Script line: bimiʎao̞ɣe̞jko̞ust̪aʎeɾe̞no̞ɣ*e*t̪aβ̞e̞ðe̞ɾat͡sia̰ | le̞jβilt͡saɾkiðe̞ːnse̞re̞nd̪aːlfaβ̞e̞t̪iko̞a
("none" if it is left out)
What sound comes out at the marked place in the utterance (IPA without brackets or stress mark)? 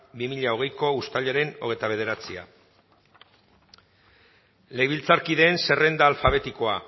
e